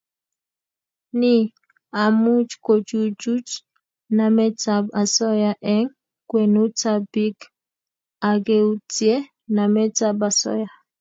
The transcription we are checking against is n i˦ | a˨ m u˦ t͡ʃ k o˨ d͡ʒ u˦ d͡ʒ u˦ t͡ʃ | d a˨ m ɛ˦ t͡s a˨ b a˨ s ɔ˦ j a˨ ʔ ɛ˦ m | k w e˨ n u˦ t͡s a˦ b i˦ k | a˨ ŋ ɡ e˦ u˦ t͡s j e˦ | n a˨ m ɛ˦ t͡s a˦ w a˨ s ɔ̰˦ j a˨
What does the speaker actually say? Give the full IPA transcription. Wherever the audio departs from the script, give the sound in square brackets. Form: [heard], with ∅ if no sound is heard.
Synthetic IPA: n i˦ | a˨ m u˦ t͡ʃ k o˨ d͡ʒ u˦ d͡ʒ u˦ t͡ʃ | [n] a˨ m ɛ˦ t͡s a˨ b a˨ s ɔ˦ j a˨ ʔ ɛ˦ [ŋ] | k w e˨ n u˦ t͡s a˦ b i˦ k | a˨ [∅] ɡ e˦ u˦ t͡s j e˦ | n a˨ m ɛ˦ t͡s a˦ [b] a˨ s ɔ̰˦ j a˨